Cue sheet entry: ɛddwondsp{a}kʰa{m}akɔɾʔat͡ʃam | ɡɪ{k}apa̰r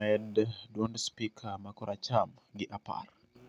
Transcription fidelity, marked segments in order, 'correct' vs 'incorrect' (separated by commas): incorrect, correct, incorrect